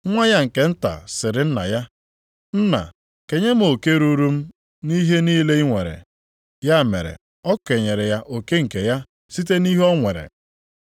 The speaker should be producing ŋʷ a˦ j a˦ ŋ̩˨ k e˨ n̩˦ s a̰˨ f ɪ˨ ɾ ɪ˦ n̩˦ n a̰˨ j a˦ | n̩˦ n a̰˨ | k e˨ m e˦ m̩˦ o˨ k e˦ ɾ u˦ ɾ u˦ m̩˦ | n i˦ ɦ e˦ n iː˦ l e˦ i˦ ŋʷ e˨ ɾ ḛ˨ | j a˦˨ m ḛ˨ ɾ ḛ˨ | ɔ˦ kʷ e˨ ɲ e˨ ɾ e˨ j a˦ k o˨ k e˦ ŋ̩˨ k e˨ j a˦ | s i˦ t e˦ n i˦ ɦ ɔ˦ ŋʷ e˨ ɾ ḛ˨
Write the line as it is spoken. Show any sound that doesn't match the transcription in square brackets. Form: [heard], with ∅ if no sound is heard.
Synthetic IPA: ŋʷ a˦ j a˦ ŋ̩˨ k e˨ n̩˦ [t] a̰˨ [s] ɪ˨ ɾ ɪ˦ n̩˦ n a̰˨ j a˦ | n̩˦ n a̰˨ | k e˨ [ɲ] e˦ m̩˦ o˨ k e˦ ɾ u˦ ɾ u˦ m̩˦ | n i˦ ɦ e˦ n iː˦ l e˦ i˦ ŋʷ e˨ ɾ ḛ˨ | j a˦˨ m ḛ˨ ɾ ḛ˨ | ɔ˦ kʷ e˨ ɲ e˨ ɾ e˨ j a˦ [ʔ] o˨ k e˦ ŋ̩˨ k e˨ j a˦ | s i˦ t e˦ n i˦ ɦ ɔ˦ ŋʷ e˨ ɾ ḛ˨